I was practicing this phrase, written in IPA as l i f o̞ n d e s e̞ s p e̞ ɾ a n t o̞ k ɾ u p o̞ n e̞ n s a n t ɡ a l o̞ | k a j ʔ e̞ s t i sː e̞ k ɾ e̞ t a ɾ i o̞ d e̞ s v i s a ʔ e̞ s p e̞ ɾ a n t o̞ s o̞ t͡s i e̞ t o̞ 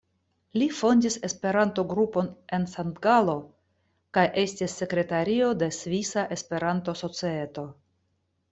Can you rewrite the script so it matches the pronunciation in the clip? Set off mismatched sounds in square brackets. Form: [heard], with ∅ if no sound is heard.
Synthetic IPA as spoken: l i f o̞ n d [i] s e̞ s p e̞ ɾ a n t o̞ [ɡ] ɾ u p o̞ n e̞ n s a n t ɡ a l o̞ | k a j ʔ e̞ s t i sː e̞ k ɾ e̞ t a ɾ i o̞ d e̞ s v i s a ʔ e̞ s p e̞ ɾ a n t o̞ s o̞ t͡s i e̞ t o̞